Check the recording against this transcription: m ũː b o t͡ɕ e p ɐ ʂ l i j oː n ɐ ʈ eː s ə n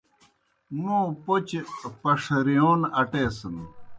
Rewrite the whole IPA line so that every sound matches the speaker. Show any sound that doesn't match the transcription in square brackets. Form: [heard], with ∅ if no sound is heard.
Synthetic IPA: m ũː [p] o t͡ɕ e p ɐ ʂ [ɾ] i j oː n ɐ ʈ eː s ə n